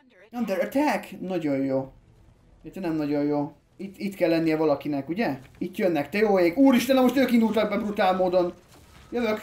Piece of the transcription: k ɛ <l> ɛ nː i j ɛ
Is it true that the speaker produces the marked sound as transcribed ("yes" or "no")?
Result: no